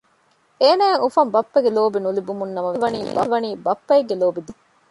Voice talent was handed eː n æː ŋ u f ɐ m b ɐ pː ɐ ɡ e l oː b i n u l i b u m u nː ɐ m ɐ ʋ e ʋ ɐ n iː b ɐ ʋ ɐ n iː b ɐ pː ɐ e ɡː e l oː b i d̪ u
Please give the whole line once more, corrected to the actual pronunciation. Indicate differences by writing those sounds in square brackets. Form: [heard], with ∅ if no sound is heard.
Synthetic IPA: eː n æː ŋ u f ɐ m b ɐ pː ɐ ɡ e l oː b i n u l i b u m u nː ɐ m ɐ ʋ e ʋ ɐ n iː b ɐ ʋ ɐ n iː b ɐ pː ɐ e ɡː e l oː b i d̪ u